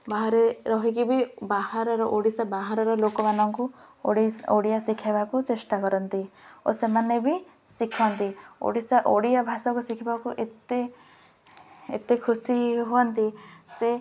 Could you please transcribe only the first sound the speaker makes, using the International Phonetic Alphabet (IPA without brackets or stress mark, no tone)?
b